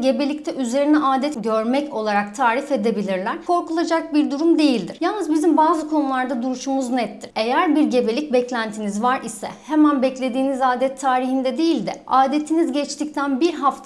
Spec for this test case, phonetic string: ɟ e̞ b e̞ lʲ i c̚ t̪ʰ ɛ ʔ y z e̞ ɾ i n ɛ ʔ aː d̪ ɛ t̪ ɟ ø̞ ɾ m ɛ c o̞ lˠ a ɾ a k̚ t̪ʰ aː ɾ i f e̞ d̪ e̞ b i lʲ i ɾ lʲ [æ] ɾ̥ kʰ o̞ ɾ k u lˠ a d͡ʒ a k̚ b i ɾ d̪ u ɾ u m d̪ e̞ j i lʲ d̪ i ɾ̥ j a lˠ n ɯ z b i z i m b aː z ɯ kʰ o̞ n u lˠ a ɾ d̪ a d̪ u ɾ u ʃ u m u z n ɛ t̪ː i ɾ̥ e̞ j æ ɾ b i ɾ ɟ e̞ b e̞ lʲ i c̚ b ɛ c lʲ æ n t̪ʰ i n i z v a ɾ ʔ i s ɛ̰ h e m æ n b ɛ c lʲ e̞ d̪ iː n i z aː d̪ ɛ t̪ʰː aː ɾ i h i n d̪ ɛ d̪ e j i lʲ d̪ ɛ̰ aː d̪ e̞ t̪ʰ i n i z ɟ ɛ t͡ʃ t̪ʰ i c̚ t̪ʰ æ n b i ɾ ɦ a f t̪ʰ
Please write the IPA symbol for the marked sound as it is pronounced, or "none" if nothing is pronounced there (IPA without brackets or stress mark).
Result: æ